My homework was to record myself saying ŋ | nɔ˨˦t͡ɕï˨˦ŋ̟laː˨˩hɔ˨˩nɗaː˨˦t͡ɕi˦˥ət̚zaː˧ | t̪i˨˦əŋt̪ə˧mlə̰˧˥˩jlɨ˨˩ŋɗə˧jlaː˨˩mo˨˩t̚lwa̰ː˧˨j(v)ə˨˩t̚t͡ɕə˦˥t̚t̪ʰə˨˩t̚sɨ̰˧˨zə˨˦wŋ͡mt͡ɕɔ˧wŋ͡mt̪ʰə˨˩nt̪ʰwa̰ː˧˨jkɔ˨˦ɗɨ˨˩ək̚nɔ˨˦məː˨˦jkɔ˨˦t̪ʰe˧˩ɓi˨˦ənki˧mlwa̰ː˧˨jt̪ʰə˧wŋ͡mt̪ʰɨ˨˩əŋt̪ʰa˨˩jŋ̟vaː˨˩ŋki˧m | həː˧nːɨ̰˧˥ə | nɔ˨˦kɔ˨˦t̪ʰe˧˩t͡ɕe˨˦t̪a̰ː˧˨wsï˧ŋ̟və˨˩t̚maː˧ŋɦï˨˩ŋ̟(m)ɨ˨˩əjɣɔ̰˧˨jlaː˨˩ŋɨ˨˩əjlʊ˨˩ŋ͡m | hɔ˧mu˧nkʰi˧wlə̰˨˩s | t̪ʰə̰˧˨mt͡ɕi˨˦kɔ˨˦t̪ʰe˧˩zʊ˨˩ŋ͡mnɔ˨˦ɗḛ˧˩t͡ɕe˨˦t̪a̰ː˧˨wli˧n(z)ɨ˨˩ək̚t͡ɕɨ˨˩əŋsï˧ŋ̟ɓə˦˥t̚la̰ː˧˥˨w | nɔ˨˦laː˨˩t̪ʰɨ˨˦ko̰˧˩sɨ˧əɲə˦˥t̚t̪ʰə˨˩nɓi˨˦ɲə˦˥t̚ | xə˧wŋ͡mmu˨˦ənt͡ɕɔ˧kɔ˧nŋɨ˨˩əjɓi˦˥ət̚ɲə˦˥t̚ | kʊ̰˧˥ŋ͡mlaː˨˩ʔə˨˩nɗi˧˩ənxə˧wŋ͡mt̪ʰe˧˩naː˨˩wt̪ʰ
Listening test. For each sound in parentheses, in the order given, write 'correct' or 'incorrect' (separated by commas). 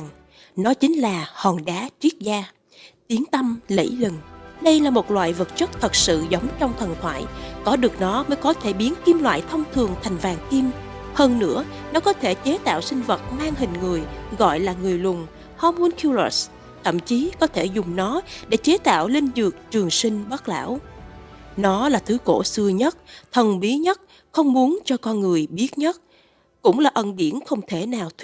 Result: correct, incorrect, correct